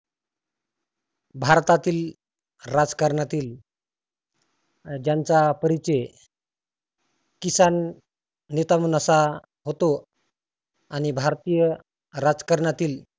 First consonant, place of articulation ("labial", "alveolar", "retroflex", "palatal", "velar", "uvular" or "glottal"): labial